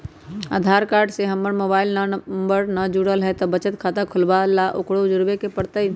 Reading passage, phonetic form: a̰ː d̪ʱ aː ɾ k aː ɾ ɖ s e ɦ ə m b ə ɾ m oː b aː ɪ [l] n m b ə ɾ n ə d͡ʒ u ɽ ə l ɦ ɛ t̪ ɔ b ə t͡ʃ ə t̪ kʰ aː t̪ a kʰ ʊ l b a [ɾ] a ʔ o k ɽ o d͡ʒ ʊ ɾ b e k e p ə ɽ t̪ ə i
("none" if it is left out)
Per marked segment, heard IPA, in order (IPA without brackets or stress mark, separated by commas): l, l